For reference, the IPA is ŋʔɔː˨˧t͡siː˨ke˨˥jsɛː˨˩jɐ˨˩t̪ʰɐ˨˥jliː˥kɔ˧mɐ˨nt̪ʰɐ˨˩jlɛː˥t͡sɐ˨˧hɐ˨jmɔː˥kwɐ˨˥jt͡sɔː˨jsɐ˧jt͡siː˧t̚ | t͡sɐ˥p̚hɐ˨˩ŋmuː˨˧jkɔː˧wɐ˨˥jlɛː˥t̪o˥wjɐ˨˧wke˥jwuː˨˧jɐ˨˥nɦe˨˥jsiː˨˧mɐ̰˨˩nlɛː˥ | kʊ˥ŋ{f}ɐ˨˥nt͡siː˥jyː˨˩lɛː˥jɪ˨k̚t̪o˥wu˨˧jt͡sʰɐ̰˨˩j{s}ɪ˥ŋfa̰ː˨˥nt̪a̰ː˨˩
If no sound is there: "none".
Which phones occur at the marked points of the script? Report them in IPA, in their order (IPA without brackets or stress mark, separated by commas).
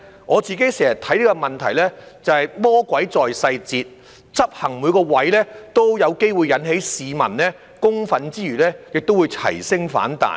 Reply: f, s